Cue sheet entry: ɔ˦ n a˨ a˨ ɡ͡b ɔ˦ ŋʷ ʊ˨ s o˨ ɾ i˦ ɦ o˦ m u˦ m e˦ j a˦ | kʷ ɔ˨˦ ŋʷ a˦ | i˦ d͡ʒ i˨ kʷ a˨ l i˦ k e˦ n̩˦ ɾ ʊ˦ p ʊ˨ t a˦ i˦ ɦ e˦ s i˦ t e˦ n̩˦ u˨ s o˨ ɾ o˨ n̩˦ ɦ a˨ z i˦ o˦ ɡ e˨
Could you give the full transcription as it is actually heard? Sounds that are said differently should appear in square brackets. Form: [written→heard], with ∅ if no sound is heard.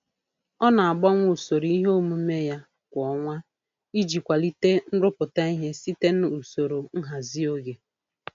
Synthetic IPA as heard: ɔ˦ n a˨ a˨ ɡ͡b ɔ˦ ŋʷ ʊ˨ s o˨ ɾ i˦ ɦ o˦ m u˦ m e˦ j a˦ | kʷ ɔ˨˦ ŋʷ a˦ | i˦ d͡ʒ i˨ kʷ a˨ l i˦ [k→t] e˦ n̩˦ ɾ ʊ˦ p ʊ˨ t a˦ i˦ ɦ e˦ s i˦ t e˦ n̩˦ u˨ s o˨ ɾ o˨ [n̩˦→ŋ̩˦] ɦ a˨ z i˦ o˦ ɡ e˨